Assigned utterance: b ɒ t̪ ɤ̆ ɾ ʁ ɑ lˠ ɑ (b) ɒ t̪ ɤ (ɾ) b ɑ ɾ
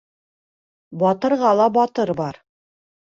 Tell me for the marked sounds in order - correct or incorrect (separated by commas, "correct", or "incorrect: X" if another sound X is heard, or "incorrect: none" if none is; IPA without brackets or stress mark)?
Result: correct, correct